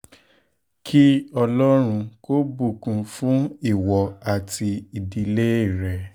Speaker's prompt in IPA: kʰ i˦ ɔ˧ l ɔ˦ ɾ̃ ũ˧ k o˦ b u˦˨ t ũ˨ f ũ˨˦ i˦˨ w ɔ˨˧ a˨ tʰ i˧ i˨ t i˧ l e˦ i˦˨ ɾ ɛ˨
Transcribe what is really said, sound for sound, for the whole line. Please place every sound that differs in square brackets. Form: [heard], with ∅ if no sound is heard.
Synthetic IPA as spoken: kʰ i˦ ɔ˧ l ɔ˦ ɾ̃ ũ˧ k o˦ b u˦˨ [k] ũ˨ f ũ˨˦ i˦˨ w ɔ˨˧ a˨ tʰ i˧ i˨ [d] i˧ l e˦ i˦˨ ɾ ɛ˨